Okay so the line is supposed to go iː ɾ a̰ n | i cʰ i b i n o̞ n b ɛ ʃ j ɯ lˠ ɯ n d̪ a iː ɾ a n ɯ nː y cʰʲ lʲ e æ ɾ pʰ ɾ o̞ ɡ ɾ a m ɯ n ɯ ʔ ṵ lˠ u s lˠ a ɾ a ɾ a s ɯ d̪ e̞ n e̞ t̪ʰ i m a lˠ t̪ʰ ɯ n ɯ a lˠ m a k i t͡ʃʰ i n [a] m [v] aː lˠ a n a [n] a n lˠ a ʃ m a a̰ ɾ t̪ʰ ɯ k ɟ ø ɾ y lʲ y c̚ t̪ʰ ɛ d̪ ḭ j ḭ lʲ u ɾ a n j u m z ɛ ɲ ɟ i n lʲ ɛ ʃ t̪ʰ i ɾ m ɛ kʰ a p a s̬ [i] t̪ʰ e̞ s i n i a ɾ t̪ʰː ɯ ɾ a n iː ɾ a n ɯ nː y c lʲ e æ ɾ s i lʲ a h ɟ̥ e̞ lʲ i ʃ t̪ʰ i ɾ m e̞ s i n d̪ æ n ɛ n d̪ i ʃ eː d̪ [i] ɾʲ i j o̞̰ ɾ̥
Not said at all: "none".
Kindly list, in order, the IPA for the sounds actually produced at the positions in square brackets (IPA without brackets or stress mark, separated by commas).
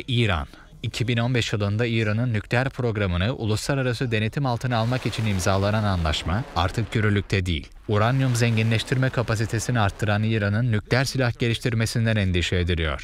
i, z, n, i, i